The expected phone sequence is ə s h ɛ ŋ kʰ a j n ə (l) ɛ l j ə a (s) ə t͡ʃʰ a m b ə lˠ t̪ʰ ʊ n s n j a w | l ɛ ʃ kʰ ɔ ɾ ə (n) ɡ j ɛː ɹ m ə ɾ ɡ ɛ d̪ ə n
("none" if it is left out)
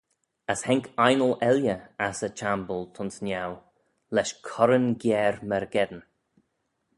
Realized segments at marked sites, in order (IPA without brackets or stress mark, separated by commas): l, s, n